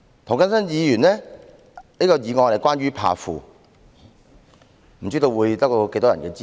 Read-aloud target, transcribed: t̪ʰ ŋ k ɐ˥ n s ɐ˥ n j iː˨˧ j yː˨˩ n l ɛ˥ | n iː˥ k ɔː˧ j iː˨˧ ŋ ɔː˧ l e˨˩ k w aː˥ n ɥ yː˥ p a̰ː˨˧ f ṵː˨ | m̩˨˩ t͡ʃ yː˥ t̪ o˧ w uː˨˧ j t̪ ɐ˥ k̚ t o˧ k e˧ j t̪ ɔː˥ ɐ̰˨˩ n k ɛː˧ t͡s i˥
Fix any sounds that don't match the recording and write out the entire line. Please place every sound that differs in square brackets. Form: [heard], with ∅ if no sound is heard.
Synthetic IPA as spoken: t̪ʰ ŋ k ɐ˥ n s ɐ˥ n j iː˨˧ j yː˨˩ n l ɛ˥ | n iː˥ k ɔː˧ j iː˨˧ ŋ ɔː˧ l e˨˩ k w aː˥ n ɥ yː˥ [pʰ] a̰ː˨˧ f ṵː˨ | m̩˨˩ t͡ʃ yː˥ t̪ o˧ w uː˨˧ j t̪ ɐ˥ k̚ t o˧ k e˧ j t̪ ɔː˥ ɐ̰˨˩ n k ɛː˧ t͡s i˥